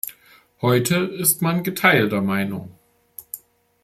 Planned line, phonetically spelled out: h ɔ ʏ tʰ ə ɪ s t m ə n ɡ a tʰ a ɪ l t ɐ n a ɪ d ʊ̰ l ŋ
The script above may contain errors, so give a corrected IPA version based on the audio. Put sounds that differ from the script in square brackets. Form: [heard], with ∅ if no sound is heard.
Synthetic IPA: h ɔ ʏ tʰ ə ɪ s t m [a] n ɡ [ə] tʰ a ɪ l t ɐ [m] a ɪ [n] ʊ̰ [∅] ŋ